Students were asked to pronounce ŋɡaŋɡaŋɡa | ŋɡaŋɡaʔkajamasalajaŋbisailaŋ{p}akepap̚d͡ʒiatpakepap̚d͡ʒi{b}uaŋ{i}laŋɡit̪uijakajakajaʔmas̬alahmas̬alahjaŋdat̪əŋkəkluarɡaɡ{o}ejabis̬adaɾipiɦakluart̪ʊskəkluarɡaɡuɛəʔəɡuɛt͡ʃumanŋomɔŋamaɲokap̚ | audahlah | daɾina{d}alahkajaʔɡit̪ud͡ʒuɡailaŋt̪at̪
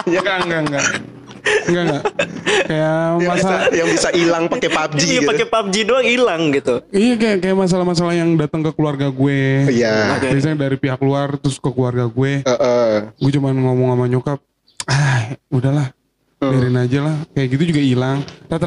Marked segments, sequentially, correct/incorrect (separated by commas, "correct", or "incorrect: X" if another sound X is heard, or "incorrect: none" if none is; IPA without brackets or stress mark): correct, incorrect: d, correct, incorrect: u, incorrect: d͡ʒ